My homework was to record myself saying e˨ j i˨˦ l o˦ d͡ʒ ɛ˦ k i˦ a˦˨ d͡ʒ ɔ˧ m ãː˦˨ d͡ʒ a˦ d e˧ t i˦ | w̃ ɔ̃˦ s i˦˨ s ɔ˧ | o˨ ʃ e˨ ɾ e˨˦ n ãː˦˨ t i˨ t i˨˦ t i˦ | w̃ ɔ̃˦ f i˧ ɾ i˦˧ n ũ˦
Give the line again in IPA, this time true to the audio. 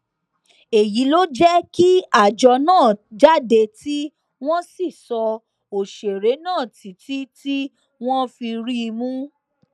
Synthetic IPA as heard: e˨ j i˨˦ l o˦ d͡ʒ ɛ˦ k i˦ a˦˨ d͡ʒ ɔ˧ n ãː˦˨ d͡ʒ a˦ d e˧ t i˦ | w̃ ɔ̃˦ s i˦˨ s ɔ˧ | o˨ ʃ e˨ ɾ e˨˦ n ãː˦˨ t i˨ t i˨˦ t i˦ | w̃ ɔ̃˦ f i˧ ɾ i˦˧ m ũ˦